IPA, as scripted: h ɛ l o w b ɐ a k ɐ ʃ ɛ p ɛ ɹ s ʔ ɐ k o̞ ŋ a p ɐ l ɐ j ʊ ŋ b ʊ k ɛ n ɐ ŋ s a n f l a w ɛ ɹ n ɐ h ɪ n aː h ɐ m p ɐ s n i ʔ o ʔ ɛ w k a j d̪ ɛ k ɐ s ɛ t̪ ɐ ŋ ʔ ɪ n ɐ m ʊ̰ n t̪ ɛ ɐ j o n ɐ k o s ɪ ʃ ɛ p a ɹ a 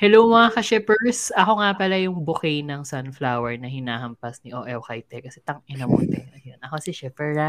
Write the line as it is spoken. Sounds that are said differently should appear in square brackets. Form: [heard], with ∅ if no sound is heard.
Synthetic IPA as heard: h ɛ l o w [m] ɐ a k ɐ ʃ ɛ p ɛ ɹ s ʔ ɐ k o̞ ŋ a p ɐ l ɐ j ʊ ŋ b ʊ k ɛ n ɐ ŋ s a n f l a w ɛ ɹ n ɐ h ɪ n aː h ɐ m p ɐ s n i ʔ o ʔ ɛ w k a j [t̪] ɛ k ɐ s ɛ t̪ ɐ ŋ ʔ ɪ n ɐ m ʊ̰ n t̪ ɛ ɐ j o n ɐ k o s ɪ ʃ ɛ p [ɛ] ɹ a